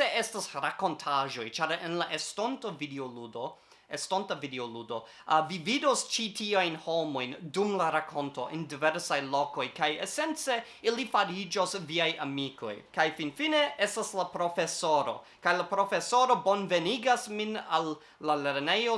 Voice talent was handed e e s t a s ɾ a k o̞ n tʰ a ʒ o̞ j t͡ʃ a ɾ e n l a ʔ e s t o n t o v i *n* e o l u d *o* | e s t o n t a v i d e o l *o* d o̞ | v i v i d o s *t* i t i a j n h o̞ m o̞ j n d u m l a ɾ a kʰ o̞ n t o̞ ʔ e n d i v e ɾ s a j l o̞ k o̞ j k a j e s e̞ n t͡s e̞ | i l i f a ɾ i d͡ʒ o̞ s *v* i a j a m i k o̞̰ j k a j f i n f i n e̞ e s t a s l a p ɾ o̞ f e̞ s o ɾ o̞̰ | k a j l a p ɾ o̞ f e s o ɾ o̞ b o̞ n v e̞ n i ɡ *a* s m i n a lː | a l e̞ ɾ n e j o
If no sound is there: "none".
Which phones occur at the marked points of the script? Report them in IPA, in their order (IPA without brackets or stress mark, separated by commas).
d, o, u, t͡ʃ, v, a